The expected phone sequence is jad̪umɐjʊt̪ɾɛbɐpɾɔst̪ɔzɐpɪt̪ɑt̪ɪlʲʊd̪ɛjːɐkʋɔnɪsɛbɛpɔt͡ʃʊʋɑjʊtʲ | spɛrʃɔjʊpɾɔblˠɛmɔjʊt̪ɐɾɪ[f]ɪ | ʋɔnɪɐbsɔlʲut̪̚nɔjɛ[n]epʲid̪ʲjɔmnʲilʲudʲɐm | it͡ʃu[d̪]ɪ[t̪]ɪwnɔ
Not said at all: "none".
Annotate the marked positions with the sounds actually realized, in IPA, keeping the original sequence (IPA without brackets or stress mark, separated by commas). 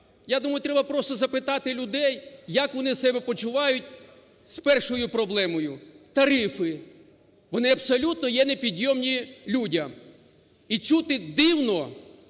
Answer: f, n, t̪, d̪